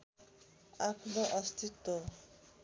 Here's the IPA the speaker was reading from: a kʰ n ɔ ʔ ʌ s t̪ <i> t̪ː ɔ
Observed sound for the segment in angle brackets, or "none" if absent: i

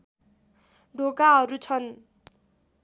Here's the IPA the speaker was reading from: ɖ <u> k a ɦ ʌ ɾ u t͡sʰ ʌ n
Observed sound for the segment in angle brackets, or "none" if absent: o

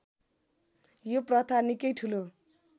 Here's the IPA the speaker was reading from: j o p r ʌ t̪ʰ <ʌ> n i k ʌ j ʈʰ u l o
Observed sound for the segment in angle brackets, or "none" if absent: a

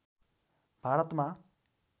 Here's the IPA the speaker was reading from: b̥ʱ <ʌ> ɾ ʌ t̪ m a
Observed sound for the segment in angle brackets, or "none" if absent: a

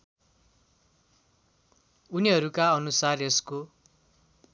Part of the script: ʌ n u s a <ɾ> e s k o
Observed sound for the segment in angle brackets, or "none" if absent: r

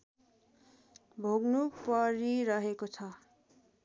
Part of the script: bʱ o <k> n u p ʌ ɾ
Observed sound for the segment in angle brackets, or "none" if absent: ɡ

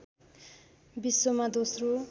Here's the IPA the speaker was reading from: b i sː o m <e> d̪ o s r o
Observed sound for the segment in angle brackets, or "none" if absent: a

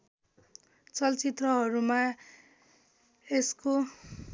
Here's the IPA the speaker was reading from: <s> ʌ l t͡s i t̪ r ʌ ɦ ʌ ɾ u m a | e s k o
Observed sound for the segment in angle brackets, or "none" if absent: t͡s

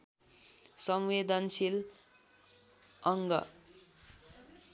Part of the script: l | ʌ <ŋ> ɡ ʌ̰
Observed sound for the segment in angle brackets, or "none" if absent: ŋ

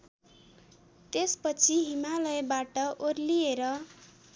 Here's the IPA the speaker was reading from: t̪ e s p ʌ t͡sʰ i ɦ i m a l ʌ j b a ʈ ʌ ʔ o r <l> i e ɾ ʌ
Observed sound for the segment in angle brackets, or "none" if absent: l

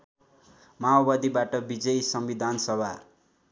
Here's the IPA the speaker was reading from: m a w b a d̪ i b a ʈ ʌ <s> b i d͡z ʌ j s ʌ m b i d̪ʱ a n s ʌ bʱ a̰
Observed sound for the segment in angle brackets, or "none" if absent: none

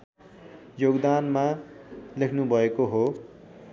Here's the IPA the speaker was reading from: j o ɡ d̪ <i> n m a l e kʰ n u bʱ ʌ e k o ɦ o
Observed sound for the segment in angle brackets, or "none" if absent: a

